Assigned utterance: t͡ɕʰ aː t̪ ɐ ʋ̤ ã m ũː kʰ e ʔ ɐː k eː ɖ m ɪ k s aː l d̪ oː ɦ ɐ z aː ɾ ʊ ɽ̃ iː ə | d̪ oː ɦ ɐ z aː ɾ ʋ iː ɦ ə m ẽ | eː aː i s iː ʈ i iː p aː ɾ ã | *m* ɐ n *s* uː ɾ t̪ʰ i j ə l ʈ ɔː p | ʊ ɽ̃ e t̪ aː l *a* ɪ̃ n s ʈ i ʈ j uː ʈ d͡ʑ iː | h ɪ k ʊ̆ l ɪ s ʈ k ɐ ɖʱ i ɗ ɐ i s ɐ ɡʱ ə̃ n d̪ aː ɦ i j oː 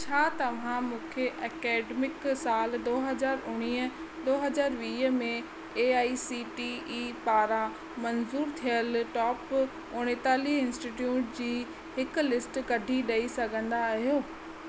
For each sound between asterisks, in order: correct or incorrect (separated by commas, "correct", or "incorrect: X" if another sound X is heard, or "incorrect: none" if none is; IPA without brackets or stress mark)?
correct, incorrect: z, incorrect: i